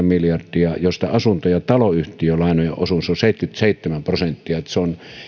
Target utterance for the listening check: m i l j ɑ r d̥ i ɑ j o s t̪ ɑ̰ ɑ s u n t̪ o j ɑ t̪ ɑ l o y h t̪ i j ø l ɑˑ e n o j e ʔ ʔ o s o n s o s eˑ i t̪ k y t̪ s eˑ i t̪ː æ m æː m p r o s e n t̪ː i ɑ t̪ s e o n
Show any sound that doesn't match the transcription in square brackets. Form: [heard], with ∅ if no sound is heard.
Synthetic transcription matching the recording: m i l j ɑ r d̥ i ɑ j o s t̪ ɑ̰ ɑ s u n t̪ o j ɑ t̪ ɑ l o y h t̪ i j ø l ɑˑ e n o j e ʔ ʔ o s [u] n s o s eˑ i t̪ k y t̪ s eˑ i t̪ː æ m [æ] m p r o s e n t̪ː i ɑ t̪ s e o n